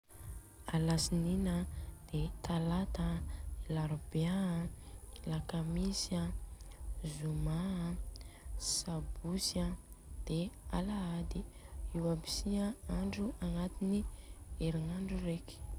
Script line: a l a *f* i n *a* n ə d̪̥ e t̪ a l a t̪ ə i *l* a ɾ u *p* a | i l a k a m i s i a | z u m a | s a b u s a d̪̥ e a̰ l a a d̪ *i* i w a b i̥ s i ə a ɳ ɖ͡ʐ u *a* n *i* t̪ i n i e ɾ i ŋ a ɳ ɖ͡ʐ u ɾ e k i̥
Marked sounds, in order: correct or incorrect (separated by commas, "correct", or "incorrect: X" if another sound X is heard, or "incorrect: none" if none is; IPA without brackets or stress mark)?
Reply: incorrect: s, incorrect: i, correct, incorrect: b, correct, correct, incorrect: a